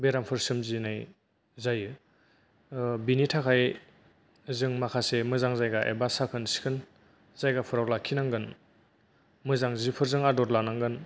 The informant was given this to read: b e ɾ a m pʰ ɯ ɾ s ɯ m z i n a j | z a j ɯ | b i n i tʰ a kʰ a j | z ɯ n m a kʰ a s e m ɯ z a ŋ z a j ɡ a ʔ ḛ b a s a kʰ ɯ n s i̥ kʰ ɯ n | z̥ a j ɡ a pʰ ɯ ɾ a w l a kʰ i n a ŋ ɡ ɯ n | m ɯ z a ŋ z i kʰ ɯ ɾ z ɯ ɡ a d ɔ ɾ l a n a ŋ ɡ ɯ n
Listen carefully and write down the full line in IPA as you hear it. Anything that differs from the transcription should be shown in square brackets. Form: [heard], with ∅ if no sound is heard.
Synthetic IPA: b e ɾ a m pʰ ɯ ɾ s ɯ m z i n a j | z a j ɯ | b i n i tʰ a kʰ a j | z ɯ [ŋ] m a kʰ a s e m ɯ z a ŋ z a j ɡ a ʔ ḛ b a s a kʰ ɯ n s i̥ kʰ ɯ n | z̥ a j ɡ a pʰ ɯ ɾ a w l a kʰ i n a ŋ ɡ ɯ n | m ɯ z a ŋ z i [pʰ] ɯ ɾ z ɯ [ŋ] a d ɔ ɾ l a n a ŋ ɡ ɯ n